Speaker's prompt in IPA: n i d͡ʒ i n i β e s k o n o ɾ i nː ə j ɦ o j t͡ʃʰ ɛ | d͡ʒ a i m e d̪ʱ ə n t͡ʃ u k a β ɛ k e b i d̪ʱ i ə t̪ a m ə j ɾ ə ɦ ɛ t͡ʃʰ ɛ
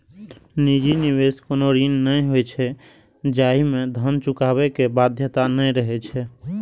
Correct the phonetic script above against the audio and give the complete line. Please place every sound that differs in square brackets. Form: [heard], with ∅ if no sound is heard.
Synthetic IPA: n i d͡ʒ i n i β e s k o n o ɾ i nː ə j ɦ o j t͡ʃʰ ɛ | d͡ʒ a i m e d̪ʱ ə n t͡ʃ u k a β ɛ k e b [a] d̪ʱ [j] ə t̪ a [n] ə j ɾ ə ɦ ɛ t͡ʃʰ ɛ